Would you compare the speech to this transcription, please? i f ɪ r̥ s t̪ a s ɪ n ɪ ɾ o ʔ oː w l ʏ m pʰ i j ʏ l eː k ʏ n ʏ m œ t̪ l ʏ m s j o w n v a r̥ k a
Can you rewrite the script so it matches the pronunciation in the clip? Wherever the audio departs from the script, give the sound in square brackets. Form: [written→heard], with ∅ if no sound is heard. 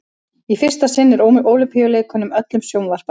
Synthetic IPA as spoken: i f ɪ r̥ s t̪ a s ɪ [n→nː] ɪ ɾ o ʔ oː w l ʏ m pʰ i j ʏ l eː k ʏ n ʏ m œ t̪ l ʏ m s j o w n v a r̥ [k→p] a